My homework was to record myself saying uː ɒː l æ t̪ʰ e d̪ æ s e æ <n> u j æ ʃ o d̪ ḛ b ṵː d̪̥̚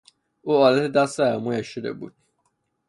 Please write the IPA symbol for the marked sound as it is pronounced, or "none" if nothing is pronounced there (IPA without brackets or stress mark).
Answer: m